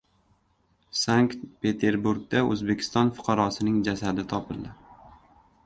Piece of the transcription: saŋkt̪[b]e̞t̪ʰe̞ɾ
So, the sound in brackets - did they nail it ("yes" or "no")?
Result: no